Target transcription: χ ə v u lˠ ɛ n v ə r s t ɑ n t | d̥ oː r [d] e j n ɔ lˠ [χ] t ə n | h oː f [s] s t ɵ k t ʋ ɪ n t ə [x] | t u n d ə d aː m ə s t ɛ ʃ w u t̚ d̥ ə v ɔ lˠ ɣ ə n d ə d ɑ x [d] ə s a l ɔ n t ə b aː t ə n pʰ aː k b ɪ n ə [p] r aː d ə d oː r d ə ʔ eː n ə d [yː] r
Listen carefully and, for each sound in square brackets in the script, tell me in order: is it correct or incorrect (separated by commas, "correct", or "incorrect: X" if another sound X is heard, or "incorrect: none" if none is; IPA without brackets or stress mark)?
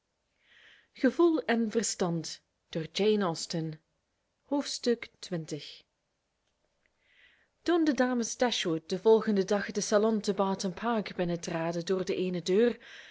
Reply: incorrect: d͡ʒ, incorrect: s, incorrect: t, correct, correct, incorrect: t, incorrect: øː